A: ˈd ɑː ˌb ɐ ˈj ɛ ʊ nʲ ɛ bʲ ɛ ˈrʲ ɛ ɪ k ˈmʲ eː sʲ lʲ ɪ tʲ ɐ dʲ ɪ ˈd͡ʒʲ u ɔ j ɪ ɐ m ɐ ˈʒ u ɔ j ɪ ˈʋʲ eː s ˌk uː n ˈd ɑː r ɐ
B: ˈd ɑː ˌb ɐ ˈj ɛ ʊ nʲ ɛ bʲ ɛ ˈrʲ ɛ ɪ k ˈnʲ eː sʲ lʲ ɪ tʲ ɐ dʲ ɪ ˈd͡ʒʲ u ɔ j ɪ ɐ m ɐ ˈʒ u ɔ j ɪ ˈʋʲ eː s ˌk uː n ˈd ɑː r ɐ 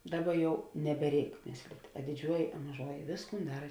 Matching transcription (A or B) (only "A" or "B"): A